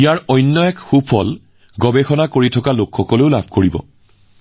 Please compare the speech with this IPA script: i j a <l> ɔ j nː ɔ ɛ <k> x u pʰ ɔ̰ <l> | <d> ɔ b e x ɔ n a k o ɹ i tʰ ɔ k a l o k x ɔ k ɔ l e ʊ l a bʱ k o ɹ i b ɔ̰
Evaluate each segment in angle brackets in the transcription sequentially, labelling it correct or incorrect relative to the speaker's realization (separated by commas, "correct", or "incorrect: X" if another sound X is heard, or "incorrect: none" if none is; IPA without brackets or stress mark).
incorrect: ɹ, correct, correct, incorrect: ɡ